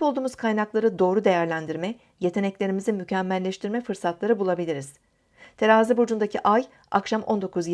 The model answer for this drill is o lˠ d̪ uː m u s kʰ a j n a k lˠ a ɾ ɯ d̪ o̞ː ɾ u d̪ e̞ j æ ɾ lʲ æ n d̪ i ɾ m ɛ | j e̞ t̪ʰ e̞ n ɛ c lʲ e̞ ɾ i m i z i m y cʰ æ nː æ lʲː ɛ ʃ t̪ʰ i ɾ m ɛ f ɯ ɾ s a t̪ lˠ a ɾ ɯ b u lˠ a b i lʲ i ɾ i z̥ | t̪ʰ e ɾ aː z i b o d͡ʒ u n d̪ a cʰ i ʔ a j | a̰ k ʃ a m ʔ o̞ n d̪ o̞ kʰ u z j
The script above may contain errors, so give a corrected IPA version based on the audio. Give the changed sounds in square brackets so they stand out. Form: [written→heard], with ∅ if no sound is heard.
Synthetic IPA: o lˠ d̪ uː m u [s→z] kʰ a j n a k lˠ a ɾ ɯ d̪ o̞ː ɾ u d̪ e̞ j æ ɾ lʲ æ n d̪ i ɾ m ɛ | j e̞ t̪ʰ e̞ n ɛ c lʲ e̞ ɾ i m i z i m y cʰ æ [nː→mː] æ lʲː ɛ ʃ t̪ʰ i ɾ m ɛ f ɯ ɾ s a t̪ lˠ a ɾ ɯ b u lˠ a b i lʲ i ɾ i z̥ | t̪ʰ e ɾ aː z i b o d͡ʒ u n d̪ a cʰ i ʔ a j | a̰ k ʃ a m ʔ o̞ n d̪ o̞ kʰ u z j